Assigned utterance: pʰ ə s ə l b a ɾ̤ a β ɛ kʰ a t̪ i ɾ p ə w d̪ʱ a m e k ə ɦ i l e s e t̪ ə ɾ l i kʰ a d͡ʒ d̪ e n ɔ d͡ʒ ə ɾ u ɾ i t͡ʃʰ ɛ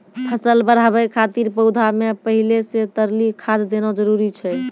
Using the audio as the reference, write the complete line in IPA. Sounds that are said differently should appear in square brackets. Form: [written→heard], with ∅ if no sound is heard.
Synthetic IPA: pʰ ə s ə l b [a→ə] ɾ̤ a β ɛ kʰ a t̪ i ɾ p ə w d̪ʱ a m e [k→p] ə ɦ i l e s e t̪ ə ɾ l i kʰ a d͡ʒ d̪ e n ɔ d͡ʒ ə ɾ u ɾ i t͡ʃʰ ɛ